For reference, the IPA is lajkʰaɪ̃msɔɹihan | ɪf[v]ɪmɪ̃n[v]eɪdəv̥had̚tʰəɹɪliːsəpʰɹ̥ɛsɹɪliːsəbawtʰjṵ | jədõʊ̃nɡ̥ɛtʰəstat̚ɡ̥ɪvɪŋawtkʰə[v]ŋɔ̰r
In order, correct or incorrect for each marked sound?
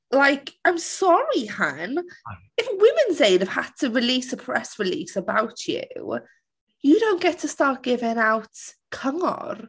incorrect: w, incorrect: z, incorrect: none

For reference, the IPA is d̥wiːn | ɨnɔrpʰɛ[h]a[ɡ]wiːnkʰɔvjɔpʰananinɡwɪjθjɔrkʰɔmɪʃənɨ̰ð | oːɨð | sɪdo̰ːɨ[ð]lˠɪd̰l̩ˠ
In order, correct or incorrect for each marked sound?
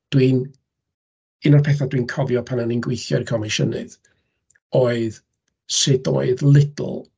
incorrect: θ, incorrect: d, correct

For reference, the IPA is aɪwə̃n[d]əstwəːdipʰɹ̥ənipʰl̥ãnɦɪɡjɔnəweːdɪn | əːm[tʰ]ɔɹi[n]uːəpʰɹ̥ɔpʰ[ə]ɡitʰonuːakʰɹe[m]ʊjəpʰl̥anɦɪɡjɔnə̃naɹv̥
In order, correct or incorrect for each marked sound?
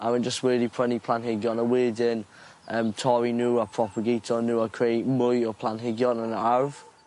incorrect: d͡ʒ, correct, correct, correct, correct

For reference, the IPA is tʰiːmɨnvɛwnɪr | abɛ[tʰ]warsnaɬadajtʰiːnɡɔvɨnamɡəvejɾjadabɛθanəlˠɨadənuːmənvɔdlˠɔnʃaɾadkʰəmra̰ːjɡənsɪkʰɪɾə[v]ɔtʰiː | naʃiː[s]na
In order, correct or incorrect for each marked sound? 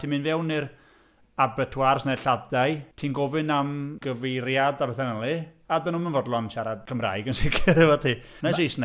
correct, correct, correct

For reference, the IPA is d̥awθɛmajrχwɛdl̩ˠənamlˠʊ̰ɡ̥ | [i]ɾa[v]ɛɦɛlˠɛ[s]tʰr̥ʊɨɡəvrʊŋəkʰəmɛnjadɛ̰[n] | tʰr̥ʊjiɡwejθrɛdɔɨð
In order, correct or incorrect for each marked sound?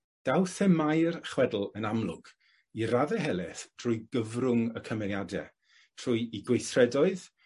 correct, incorrect: ð, incorrect: θ, incorrect: none

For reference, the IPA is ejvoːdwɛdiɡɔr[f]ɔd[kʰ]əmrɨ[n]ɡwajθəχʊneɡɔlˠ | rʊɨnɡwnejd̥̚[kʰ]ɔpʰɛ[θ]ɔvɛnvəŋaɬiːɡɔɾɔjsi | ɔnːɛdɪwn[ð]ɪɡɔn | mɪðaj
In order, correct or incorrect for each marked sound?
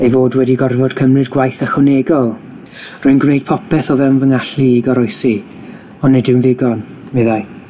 incorrect: v, correct, incorrect: d, incorrect: pʰ, correct, correct

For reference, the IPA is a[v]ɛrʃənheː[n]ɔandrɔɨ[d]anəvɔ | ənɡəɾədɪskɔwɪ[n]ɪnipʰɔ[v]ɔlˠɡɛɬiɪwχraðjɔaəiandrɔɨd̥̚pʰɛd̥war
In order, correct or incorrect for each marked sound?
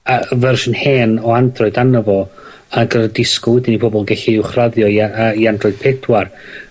correct, correct, correct, incorrect: d, incorrect: b

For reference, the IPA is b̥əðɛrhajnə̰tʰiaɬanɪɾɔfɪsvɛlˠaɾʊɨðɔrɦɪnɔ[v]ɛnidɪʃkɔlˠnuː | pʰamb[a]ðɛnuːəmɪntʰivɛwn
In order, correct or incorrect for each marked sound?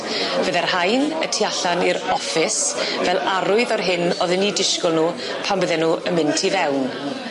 incorrect: ð, incorrect: ə

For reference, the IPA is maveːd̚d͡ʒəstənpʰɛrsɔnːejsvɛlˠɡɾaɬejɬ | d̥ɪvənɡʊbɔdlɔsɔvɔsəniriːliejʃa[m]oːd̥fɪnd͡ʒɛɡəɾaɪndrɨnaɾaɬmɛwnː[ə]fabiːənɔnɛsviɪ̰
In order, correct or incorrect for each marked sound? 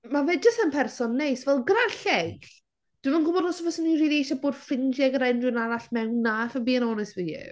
incorrect: b, incorrect: a

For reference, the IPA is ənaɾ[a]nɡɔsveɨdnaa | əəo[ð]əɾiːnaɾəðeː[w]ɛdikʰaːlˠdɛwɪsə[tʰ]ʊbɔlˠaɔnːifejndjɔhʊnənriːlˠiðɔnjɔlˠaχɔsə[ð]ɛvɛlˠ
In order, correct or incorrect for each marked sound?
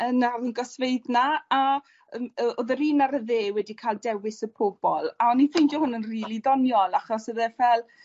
incorrect: ə, correct, correct, incorrect: pʰ, correct

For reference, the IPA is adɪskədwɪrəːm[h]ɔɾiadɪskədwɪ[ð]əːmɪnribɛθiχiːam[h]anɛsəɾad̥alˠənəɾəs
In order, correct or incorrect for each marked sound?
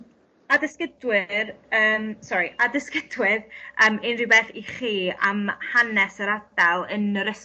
incorrect: s, correct, correct

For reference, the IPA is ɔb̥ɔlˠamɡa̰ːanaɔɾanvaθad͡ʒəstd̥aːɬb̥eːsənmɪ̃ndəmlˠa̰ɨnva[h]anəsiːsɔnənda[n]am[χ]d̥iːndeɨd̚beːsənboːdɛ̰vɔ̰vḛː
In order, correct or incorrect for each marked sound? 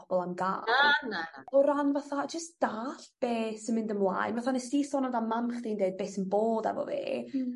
incorrect: θ, incorrect: m, correct

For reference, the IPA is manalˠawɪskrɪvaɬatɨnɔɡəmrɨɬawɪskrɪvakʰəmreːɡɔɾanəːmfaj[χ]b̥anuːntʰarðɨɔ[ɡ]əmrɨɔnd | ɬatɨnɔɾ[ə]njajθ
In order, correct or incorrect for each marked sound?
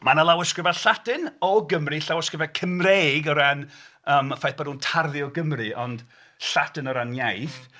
incorrect: θ, correct, incorrect: a

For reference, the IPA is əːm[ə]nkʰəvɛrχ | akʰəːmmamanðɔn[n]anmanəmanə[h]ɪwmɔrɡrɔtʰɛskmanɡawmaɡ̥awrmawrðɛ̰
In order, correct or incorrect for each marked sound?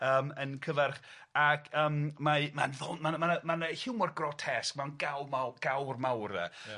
correct, incorrect: m, correct

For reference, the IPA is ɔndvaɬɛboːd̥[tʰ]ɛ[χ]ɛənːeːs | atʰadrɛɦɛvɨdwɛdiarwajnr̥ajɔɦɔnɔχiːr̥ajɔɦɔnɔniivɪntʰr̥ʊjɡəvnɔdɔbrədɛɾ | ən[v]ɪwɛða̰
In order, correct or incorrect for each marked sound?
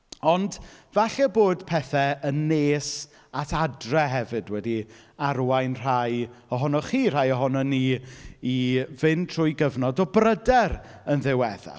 incorrect: pʰ, incorrect: θ, incorrect: ð

